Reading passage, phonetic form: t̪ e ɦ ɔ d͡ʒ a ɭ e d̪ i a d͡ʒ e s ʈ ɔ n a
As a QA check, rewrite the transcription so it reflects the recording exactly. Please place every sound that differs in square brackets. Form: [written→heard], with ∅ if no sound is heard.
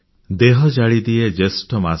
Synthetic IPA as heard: [t̪→d̪] e ɦ ɔ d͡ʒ a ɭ [e→i] d̪ i [a→e] d͡ʒ e s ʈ ɔ [n→m] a